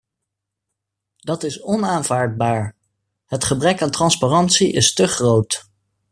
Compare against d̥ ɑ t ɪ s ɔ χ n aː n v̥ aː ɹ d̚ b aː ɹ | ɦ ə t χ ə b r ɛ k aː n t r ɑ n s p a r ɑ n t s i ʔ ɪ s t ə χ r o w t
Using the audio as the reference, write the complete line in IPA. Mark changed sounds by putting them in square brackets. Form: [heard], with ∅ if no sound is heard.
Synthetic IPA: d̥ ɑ t ɪ s ɔ [∅] n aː n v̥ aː ɹ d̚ b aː ɹ | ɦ ə t χ ə b r ɛ k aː n t r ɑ n s p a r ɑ n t s i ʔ ɪ s t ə χ r o w t